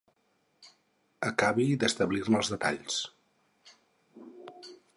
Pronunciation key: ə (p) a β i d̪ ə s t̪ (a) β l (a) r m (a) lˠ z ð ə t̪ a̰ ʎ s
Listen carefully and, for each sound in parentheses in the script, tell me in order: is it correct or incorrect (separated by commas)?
incorrect, incorrect, incorrect, incorrect